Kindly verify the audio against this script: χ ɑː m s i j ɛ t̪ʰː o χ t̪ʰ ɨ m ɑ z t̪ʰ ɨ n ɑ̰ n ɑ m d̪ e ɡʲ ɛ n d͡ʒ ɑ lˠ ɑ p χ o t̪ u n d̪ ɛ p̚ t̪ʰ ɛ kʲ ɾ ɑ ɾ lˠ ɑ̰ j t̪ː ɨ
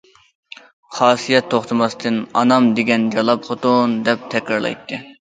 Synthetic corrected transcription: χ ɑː s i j ɛ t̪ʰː o χ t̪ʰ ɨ m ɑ s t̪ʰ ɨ n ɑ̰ n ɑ m d̪ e ɡʲ ɛ n d͡ʒ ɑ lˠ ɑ p χ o t̪ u n d̪ ɛ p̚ t̪ʰ ɛ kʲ ɾ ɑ ɾ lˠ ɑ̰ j t̪ː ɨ